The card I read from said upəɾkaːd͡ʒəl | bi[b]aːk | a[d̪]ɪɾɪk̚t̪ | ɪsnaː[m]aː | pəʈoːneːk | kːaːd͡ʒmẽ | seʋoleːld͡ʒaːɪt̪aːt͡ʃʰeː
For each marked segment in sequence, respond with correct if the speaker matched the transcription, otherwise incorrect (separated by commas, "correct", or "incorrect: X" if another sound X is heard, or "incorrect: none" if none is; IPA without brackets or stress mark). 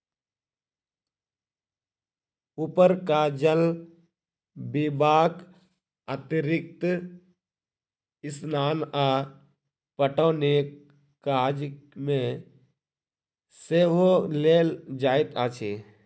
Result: correct, incorrect: t̪, incorrect: n